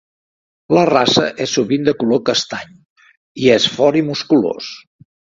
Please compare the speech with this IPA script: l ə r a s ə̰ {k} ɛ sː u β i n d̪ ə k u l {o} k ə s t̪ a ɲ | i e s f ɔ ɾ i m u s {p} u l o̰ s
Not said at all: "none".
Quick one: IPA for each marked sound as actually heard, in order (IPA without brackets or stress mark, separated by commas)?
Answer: ʔ, o, k